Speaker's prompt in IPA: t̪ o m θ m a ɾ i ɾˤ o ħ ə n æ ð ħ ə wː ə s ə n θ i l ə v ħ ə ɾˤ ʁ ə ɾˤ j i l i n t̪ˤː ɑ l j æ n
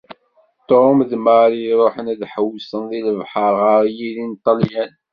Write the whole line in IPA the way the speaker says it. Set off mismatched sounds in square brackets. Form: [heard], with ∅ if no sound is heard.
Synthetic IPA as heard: t̪ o m [ð] m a ɾ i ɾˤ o ħ ə n æ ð ħ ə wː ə s ə n [ð] i l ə v ħ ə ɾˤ ʁ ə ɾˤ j i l i n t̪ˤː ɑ l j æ n